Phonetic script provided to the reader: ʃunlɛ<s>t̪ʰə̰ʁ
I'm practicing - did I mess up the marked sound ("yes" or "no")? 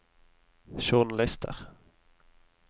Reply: no